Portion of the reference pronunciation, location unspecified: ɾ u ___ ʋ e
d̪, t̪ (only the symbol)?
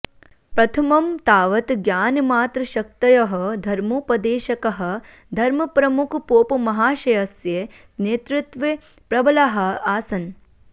t̪